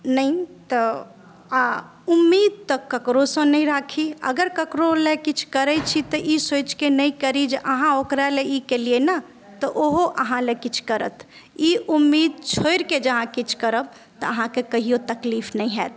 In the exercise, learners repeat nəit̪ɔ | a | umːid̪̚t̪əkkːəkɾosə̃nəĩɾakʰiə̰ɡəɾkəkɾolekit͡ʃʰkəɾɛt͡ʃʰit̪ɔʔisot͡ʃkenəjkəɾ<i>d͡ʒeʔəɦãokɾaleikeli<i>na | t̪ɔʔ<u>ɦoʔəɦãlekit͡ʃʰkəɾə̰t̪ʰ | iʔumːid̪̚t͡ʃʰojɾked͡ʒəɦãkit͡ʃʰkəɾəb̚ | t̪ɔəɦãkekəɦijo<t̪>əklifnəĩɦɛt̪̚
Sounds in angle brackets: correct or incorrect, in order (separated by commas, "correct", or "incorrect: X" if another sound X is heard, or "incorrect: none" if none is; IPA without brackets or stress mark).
correct, incorrect: e, incorrect: o, correct